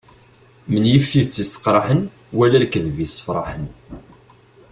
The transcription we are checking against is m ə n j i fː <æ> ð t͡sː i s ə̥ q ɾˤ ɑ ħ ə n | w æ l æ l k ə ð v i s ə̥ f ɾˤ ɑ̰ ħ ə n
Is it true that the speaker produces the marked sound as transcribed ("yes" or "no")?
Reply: no